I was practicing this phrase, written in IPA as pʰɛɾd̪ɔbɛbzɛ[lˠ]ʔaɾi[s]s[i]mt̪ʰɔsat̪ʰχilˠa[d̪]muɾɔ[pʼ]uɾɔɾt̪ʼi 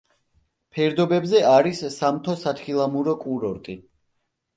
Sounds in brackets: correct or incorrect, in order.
incorrect: none, correct, incorrect: a, incorrect: none, incorrect: kʼ

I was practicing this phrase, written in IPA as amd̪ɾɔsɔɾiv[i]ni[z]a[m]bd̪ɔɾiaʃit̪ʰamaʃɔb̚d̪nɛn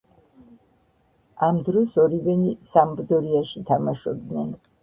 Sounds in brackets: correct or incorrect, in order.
incorrect: ɛ, incorrect: s, correct

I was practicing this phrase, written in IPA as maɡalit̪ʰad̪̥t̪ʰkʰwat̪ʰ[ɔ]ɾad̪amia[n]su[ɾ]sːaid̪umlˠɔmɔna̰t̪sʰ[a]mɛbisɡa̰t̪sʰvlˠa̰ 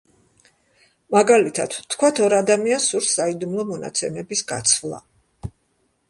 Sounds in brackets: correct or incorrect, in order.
correct, correct, correct, incorrect: ɛ

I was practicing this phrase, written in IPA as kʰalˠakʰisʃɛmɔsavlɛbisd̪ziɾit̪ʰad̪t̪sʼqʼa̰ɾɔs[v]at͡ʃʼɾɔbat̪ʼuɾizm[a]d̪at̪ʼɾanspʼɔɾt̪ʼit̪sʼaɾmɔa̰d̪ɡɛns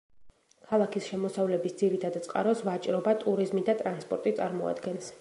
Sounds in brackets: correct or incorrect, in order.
correct, incorrect: i

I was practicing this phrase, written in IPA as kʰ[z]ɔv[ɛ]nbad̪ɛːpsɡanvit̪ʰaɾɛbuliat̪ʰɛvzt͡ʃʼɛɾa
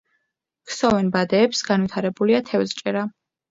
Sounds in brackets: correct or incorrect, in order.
incorrect: s, correct

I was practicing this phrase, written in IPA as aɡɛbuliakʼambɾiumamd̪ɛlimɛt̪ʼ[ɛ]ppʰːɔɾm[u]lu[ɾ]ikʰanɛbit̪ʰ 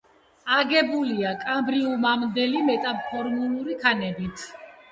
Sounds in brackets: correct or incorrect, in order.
incorrect: a, correct, correct

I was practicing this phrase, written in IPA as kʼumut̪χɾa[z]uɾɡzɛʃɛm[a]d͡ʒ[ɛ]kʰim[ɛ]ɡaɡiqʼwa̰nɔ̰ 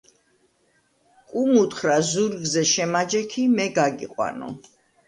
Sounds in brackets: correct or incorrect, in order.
correct, correct, correct, correct

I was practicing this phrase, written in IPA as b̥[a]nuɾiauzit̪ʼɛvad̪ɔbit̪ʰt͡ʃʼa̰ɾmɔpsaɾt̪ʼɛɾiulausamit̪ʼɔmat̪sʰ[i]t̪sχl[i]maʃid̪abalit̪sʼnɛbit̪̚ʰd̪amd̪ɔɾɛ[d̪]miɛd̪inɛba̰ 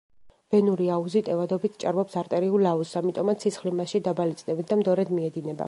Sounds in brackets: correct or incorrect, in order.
incorrect: ɛ, correct, correct, correct

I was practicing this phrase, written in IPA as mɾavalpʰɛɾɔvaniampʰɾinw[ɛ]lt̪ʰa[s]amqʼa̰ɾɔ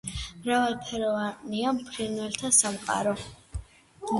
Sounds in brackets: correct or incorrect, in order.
correct, correct

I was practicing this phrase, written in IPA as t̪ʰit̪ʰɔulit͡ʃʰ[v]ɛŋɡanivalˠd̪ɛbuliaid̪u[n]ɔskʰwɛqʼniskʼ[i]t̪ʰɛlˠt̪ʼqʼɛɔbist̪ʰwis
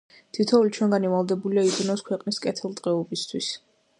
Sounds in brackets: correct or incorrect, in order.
incorrect: w, correct, incorrect: ɛ

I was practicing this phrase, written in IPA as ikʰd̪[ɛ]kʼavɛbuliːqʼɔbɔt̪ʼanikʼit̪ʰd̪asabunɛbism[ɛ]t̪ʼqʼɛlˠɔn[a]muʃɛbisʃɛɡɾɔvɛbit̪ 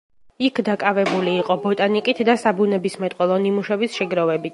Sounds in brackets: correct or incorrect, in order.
incorrect: a, correct, incorrect: i

